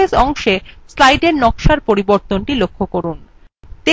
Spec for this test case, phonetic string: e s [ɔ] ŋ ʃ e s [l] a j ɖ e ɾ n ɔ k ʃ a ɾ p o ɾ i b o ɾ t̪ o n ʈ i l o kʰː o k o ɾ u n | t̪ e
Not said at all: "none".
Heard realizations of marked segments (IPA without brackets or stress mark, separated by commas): ɔ, l